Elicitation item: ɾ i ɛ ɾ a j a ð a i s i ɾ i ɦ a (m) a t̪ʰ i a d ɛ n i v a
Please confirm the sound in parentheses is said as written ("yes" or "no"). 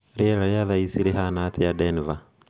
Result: no